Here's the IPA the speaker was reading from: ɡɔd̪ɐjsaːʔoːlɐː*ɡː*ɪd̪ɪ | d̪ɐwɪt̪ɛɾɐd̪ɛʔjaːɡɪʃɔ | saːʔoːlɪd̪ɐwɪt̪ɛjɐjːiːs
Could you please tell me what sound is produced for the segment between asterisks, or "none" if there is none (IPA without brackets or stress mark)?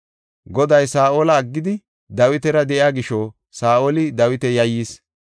ɡː